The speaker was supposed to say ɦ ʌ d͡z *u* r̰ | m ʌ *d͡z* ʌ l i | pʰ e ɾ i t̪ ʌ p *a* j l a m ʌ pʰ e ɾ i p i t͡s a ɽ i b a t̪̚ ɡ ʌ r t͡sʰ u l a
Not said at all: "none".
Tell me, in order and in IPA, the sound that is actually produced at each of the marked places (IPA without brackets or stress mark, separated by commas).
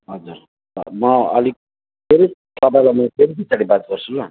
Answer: u, none, a